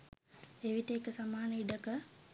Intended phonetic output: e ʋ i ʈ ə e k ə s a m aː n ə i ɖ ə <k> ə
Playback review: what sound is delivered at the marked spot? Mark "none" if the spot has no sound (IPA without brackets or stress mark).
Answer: k